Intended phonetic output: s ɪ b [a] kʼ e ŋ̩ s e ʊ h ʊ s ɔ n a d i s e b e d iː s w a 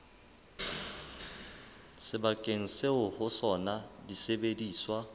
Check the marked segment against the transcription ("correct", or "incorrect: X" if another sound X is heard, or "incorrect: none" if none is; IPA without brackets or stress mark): correct